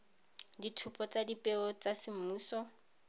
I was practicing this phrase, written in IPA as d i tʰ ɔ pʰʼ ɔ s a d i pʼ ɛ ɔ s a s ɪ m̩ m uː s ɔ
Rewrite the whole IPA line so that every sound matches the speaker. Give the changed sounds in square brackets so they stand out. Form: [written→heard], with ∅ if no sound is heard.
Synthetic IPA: d i tʰ [ɔ→u] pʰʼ ɔ [s→t͡s] a d i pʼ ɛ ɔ [s→t͡s] a s ɪ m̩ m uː s ɔ